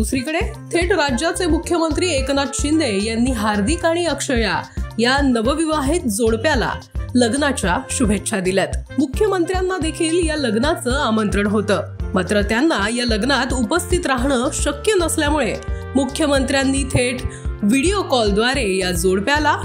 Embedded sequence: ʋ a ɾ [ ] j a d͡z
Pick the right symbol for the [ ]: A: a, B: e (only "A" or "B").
B